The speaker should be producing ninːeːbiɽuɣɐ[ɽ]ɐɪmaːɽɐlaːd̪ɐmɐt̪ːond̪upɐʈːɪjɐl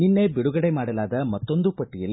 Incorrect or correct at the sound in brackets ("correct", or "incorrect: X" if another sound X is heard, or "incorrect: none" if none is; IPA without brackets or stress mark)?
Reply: correct